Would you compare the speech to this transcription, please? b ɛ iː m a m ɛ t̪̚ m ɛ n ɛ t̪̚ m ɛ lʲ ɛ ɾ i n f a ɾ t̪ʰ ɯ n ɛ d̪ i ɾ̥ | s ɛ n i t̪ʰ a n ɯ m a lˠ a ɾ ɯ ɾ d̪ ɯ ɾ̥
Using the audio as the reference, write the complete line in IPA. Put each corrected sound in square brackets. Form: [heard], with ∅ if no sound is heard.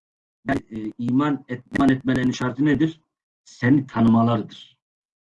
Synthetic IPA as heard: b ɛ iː m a [n] ɛ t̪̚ m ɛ n ɛ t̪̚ m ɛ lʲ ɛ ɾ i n [ʃ] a ɾ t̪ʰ ɯ n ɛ d̪ i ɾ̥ | s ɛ n i t̪ʰ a n ɯ m a lˠ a ɾ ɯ [∅] d̪ ɯ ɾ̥

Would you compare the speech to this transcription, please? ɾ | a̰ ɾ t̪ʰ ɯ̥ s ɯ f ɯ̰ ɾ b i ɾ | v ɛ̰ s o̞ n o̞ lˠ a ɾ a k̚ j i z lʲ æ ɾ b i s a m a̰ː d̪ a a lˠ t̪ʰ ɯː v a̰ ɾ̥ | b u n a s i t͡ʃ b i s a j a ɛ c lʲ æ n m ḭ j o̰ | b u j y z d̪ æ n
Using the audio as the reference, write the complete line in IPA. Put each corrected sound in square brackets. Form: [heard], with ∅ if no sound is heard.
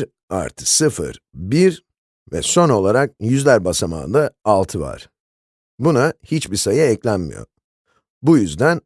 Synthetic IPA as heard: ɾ | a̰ ɾ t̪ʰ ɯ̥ s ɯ f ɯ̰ ɾ b i ɾ | v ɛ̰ s o̞ n o̞ lˠ a ɾ a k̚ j [y] z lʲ æ ɾ b [a] s a m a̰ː d̪ a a lˠ t̪ʰ [ɯ] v a̰ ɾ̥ | b u n a [h] i t͡ʃ b i s a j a ɛ c lʲ æ n m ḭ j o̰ | b u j y z d̪ æ n

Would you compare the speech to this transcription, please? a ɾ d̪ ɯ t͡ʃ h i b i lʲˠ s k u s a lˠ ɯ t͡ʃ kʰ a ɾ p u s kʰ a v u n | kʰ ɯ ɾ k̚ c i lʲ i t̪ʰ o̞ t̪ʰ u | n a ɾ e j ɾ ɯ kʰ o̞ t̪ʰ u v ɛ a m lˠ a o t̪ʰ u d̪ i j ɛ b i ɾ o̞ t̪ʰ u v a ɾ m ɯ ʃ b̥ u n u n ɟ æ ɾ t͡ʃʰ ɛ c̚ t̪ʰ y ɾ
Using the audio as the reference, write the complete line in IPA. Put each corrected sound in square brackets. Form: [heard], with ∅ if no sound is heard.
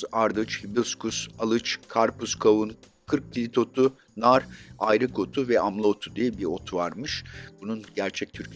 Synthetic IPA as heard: a ɾ d̪ ɯ t͡ʃ h i b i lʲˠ s k u s a lˠ ɯ t͡ʃ kʰ a ɾ p u s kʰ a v u n | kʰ ɯ ɾ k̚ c i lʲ i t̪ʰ o̞ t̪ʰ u | n a ɾ [a] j ɾ ɯ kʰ o̞ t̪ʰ u v ɛ a m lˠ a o t̪ʰ u d̪ i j ɛ b i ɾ o̞ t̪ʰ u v a ɾ m ɯ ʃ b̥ u n u n ɟ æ ɾ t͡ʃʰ ɛ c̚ t̪ʰ y ɾ

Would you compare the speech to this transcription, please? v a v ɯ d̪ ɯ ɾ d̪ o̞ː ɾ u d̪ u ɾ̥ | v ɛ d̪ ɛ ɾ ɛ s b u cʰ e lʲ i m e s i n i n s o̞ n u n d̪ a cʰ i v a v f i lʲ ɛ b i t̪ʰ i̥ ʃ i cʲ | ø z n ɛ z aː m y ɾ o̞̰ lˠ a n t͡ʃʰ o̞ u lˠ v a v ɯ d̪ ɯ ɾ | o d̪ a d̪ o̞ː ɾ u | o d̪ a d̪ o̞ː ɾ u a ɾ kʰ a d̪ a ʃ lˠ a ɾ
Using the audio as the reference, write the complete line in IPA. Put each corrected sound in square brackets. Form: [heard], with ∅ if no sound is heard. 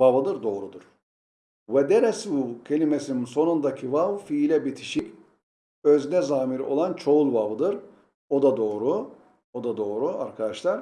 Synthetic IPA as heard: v a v ɯ d̪ ɯ ɾ d̪ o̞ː ɾ u d̪ u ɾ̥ | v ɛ d̪ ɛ ɾ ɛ s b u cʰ e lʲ i m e s i n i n s o̞ n u n d̪ a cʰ i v a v f i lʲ ɛ b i t̪ʰ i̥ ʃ i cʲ | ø z n ɛ z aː m [i] ɾ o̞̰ lˠ a n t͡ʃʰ o̞ u lˠ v a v ɯ d̪ ɯ ɾ | o d̪ a d̪ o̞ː ɾ u | o d̪ a d̪ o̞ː ɾ u a ɾ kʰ a d̪ a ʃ lˠ a ɾ

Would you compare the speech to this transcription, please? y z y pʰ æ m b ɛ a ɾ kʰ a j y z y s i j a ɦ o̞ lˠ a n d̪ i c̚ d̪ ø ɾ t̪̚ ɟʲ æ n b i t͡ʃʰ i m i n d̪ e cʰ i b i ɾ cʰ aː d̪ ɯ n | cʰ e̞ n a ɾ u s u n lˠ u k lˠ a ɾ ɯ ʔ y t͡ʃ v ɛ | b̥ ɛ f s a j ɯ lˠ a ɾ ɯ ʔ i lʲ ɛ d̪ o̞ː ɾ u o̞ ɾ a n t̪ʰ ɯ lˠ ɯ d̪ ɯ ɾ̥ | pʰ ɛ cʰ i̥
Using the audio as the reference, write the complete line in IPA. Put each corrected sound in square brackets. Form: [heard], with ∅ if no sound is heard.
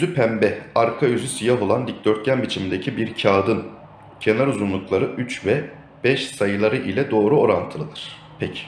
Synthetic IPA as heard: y z y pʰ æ m b ɛ a ɾ kʰ a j y z y s i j a ɦ o̞ lˠ a n d̪ i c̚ d̪ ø ɾ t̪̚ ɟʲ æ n b i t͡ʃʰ i m i n d̪ e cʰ i b i ɾ cʰ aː d̪ ɯ n | cʰ e̞ n a ɾ u [z] u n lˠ u k lˠ a ɾ ɯ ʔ y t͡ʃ v ɛ | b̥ ɛ [ʃ] s a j ɯ lˠ a ɾ ɯ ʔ i lʲ ɛ d̪ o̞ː ɾ u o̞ ɾ a n t̪ʰ ɯ lˠ ɯ d̪ ɯ ɾ̥ | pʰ ɛ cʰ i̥

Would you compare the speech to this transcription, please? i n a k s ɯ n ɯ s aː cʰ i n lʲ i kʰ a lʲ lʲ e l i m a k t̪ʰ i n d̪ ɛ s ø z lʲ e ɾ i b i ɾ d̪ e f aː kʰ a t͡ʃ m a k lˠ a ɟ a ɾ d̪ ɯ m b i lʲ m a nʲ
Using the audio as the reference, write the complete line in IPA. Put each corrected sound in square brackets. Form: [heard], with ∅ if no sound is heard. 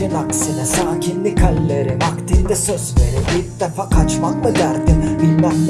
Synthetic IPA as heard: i n a k s ɯ n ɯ s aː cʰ i n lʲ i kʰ a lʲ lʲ e [ɾ] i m a k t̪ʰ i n d̪ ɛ s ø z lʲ e ɾ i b i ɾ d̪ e f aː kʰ a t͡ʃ m a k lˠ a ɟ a ɾ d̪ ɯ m b i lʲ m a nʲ

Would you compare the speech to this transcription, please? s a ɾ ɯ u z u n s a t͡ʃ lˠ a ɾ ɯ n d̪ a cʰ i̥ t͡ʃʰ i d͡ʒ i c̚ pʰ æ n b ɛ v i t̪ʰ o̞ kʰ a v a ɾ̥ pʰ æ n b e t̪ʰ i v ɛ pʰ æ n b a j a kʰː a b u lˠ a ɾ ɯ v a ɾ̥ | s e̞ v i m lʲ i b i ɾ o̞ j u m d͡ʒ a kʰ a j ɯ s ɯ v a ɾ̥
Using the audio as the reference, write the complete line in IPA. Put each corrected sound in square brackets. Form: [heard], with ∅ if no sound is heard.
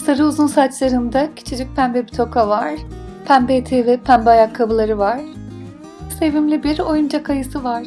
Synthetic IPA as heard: s a ɾ ɯ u z u n s a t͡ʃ lˠ a ɾ ɯ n d̪ a cʰ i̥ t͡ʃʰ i d͡ʒ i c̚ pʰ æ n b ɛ [b] i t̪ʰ o̞ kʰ a v a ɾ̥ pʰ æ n b e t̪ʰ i v ɛ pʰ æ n b a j a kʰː a b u lˠ a ɾ ɯ v a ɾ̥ | s e̞ v i m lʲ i b i ɾ o̞ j u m d͡ʒ a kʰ a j ɯ s ɯ v a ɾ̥

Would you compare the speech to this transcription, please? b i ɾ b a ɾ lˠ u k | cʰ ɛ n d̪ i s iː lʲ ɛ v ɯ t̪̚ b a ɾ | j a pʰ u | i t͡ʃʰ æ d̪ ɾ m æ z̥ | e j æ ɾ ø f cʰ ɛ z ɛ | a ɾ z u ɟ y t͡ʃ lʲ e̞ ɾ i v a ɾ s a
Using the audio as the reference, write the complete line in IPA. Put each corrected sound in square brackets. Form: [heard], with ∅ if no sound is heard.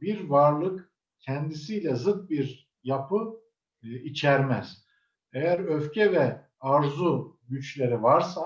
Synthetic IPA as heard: b i ɾ [v] a ɾ lˠ [ɯ] k | cʰ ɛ n d̪ i s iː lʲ ɛ [z] ɯ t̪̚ b [i] ɾ | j a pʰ [ɯ] | i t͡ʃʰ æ [∅] ɾ m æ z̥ | e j æ ɾ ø f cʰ ɛ [v] ɛ | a ɾ z u ɟ y t͡ʃ lʲ e̞ ɾ i v a ɾ s a

